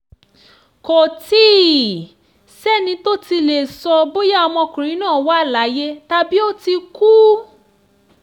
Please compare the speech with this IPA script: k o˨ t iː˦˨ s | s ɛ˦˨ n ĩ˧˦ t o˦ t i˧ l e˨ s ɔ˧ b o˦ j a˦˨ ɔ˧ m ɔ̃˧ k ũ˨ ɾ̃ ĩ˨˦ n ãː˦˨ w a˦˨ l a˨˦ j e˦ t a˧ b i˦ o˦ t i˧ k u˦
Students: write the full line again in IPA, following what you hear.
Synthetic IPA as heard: k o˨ t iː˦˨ | s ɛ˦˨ n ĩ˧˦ t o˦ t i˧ l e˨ s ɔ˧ b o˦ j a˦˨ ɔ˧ m ɔ̃˧ k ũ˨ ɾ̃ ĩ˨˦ n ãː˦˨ w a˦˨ l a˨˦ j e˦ t a˧ b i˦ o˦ t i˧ k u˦